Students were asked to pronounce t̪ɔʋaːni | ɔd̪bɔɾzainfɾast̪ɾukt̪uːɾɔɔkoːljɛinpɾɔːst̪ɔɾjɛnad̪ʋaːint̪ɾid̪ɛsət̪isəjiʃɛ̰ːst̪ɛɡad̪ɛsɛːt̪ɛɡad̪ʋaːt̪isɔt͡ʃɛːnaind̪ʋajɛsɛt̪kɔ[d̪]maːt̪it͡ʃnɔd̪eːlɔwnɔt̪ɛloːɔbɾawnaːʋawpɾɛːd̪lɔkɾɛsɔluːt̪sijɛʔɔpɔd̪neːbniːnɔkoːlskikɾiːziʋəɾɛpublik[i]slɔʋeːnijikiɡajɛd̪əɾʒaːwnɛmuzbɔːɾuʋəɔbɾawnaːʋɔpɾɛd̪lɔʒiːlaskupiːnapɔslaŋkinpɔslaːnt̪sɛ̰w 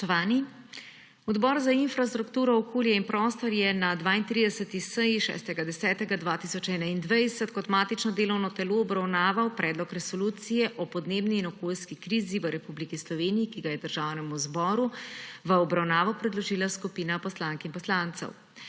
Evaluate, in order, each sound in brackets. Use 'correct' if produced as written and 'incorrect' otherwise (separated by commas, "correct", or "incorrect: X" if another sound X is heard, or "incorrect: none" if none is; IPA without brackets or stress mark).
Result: incorrect: t̪, correct